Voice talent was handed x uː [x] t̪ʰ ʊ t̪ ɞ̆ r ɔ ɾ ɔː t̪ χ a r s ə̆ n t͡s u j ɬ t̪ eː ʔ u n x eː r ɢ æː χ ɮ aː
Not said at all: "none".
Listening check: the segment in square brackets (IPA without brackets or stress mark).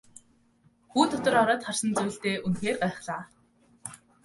none